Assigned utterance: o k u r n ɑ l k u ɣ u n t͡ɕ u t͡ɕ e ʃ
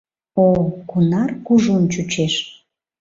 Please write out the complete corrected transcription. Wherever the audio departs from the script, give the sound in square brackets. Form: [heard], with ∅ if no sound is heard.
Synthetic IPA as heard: o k u [∅] n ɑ [r] k u [ʒ] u n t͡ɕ u t͡ɕ e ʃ